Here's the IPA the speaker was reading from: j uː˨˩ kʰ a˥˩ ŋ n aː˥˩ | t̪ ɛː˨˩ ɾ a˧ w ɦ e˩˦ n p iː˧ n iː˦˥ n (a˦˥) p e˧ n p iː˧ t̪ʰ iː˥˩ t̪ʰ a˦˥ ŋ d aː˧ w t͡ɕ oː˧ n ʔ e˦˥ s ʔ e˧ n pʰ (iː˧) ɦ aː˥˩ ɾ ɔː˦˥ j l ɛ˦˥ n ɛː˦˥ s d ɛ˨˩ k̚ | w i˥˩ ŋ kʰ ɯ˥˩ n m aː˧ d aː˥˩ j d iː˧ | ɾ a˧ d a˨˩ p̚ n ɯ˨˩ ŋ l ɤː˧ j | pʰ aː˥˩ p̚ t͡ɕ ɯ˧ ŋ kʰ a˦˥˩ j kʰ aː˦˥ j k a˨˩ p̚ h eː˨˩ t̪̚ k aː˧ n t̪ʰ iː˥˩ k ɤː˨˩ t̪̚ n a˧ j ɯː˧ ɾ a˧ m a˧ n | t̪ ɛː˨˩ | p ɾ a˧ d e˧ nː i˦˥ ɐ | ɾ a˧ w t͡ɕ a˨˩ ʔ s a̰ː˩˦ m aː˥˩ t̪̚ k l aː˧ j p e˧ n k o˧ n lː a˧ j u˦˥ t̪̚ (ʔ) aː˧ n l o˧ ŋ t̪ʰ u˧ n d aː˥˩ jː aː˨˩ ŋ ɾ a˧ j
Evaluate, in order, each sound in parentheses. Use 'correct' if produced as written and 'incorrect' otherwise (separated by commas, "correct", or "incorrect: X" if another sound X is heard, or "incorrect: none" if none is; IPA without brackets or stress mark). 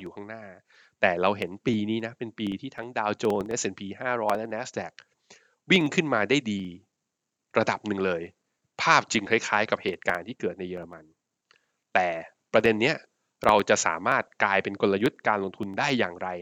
correct, correct, incorrect: k